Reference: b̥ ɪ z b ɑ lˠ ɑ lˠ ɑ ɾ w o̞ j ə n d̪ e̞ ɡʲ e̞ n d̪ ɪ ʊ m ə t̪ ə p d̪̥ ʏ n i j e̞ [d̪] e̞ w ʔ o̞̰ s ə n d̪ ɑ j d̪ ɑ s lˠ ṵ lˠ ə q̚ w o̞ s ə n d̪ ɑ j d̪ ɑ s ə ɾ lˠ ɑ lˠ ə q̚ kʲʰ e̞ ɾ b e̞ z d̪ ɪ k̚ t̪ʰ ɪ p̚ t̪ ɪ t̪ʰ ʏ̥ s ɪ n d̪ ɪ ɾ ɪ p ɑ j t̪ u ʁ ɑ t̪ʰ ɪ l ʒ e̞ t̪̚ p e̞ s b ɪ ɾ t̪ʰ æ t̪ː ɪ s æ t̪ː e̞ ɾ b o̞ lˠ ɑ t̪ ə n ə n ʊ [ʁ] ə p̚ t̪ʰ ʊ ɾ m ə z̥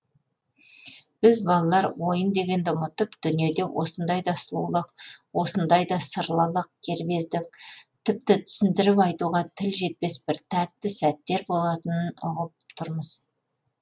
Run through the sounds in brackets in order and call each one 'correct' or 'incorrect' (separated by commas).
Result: correct, correct